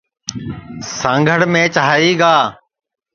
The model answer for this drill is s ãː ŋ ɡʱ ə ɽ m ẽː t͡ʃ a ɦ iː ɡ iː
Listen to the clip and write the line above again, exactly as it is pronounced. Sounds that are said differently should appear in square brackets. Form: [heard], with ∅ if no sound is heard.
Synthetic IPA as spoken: s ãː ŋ ɡʱ ə ɽ m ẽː t͡ʃ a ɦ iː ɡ [aː]